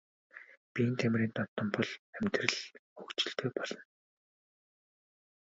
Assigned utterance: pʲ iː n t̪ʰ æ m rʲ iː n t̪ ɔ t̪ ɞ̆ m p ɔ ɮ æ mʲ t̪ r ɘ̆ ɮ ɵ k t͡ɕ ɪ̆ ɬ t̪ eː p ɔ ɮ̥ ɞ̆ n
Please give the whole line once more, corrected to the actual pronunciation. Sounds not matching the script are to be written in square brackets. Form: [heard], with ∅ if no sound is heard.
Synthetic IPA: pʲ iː n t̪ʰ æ m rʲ iː n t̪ ɔ t̪ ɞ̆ m p ɔ ɮ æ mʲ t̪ r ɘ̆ ɮ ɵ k t͡ɕ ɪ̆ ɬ t̪ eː p ɔ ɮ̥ ɞ̆ n